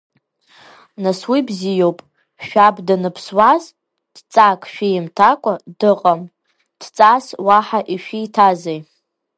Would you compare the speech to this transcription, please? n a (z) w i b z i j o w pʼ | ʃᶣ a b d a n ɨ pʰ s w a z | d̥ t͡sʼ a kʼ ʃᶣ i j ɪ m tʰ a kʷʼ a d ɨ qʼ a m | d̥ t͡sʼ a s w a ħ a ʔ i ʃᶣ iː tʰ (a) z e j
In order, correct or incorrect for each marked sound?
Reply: incorrect, correct

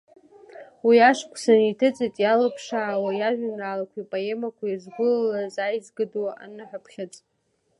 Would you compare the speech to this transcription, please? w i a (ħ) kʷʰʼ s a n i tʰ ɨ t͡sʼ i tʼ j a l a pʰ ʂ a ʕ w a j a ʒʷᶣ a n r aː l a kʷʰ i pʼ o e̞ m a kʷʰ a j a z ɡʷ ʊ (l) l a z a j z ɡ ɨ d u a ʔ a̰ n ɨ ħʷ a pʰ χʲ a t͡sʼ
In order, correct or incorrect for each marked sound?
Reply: incorrect, correct

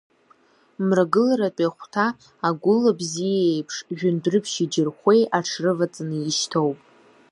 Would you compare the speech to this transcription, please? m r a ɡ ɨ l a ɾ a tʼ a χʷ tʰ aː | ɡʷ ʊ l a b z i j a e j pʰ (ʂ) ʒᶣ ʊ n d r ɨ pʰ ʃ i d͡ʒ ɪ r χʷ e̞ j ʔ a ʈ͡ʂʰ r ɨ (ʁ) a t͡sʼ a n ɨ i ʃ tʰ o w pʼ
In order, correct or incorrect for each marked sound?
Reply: correct, incorrect

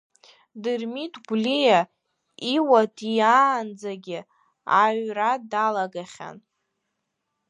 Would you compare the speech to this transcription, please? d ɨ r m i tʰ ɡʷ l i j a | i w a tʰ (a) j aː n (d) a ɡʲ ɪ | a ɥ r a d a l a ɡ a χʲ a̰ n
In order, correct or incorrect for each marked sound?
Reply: incorrect, incorrect

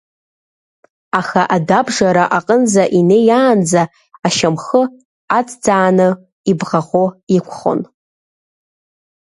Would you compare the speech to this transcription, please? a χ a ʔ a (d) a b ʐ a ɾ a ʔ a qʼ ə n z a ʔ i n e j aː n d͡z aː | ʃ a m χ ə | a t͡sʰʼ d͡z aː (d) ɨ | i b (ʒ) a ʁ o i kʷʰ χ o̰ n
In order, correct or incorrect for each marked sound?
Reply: correct, incorrect, incorrect

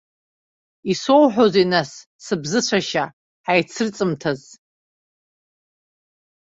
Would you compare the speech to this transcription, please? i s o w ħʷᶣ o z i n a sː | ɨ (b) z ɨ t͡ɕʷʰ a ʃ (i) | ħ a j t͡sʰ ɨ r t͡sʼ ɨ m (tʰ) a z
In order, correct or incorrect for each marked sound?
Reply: correct, incorrect, correct

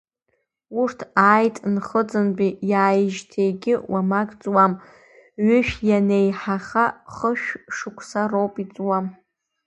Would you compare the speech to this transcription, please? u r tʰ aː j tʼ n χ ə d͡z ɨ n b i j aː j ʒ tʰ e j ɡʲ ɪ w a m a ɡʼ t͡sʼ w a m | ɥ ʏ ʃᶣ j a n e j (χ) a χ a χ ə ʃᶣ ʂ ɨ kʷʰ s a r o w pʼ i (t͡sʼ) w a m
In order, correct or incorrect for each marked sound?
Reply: incorrect, correct

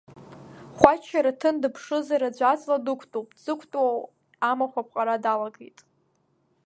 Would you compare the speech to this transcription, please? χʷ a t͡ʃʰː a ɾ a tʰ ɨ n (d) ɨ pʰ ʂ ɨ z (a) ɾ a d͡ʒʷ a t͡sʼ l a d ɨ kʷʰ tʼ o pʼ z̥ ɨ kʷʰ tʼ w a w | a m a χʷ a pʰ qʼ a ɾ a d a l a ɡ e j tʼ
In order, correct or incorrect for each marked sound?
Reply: correct, correct

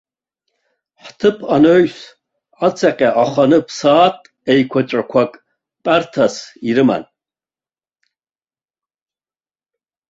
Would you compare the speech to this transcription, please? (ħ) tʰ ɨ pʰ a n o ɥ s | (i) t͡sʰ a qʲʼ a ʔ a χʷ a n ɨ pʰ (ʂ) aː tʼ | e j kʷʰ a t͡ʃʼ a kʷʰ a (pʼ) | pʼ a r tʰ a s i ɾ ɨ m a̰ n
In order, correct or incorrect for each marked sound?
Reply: correct, incorrect, incorrect, incorrect

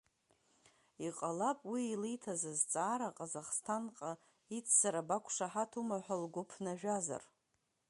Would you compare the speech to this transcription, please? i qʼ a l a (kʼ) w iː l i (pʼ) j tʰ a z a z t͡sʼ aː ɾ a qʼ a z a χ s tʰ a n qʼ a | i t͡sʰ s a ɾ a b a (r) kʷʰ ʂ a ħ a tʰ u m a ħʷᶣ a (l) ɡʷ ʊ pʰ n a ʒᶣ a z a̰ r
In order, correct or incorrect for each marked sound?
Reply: incorrect, incorrect, incorrect, correct

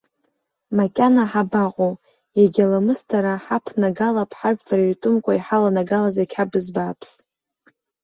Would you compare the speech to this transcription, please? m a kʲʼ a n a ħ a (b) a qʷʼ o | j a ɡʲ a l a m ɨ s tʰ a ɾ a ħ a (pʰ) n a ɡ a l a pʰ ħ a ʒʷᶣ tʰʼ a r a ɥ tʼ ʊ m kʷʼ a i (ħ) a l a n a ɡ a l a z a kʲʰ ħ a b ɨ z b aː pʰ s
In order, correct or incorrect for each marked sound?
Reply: correct, correct, correct

